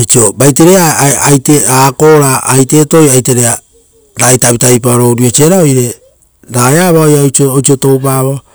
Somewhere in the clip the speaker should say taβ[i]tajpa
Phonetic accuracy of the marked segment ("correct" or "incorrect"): correct